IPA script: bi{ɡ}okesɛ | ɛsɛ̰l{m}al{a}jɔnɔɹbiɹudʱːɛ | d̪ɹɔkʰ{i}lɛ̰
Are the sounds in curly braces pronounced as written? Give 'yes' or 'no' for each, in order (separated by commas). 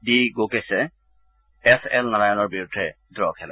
yes, no, yes, no